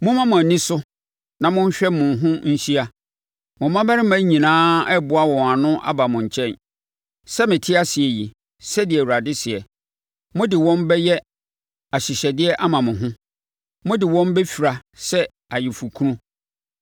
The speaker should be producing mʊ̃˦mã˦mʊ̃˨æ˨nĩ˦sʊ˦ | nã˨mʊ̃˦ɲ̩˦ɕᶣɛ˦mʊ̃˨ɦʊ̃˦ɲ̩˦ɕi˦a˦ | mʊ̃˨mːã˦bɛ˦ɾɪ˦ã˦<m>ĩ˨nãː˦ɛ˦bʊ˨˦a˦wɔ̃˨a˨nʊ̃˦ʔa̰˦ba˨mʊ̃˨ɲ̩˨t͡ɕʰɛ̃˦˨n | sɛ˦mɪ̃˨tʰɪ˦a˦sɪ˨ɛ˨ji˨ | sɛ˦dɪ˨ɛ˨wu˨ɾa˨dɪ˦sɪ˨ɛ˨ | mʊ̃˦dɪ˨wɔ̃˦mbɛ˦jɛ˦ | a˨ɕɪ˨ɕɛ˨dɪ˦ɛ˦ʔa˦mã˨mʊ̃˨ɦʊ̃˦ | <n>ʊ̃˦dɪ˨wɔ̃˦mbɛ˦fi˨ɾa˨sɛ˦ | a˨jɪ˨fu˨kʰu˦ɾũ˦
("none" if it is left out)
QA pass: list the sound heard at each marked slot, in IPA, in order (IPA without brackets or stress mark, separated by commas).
ɲ, m